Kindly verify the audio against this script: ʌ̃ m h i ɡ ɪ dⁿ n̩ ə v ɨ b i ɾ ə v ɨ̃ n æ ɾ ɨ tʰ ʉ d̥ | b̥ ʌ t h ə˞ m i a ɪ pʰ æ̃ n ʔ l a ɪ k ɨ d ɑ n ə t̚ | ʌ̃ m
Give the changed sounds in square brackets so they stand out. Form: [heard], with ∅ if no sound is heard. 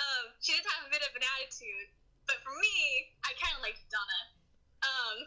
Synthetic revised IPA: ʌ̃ m [ʃ] i [d] ɪ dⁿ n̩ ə v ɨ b [ɪ] ɾ [ʌ] v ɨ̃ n æ ɾ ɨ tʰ ʉ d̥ | b̥ ʌ t [f] ə˞ m i a ɪ [kʰ] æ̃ n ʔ l a ɪ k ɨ d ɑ n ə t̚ | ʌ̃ m